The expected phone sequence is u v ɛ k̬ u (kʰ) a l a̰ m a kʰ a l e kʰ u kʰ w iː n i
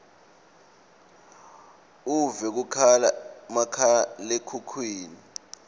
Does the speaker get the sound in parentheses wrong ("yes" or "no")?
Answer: no